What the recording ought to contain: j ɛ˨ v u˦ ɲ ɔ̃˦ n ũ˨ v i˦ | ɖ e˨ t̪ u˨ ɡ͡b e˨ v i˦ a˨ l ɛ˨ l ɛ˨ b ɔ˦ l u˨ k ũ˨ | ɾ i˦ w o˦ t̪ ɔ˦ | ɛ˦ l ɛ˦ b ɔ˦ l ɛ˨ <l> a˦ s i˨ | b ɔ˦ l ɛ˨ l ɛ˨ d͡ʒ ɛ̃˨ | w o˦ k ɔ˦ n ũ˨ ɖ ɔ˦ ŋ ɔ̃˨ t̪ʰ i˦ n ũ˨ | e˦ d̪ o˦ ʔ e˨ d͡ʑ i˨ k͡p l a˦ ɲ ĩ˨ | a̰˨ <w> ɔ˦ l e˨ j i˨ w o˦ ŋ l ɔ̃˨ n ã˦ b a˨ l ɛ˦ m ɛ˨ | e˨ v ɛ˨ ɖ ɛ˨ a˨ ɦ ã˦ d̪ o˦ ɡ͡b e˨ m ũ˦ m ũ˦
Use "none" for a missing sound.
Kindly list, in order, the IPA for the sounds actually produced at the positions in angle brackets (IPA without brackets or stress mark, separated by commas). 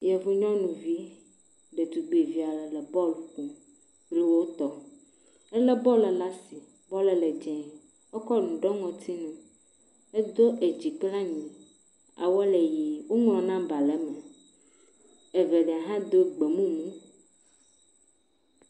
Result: l, w